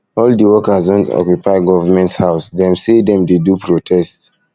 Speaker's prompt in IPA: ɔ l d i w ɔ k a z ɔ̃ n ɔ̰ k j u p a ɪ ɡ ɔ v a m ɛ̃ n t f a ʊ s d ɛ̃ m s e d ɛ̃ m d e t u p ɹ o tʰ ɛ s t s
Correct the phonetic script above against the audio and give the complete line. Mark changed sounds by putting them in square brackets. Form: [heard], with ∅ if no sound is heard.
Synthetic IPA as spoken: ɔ l d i w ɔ k a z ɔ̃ n ɔ̰ k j u p a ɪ ɡ ɔ v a m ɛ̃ n t [h] a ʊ s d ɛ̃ m s e d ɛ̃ m d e [d] u p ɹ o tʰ ɛ s t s